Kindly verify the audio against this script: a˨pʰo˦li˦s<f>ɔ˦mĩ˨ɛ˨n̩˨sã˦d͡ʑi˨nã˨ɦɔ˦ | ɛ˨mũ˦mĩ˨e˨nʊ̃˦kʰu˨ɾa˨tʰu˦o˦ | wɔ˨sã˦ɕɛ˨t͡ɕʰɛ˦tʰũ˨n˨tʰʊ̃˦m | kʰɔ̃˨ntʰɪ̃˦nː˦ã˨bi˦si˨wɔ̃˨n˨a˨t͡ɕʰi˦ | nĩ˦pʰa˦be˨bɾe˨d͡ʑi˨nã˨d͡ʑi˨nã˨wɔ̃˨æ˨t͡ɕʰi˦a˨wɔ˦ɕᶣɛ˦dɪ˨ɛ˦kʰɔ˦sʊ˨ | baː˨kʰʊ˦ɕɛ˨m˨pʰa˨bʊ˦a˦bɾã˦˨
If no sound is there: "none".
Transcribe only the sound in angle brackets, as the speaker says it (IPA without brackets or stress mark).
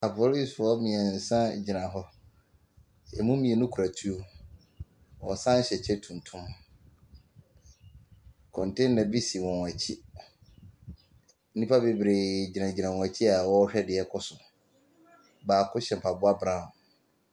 f